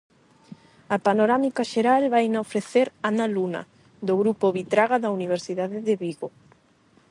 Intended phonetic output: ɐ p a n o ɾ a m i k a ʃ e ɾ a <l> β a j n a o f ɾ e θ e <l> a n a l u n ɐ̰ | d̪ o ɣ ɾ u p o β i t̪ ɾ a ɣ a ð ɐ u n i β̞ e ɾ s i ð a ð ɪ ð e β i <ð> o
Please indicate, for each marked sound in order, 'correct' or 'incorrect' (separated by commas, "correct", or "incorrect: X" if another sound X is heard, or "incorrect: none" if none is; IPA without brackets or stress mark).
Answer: correct, incorrect: ɾ, incorrect: ɣ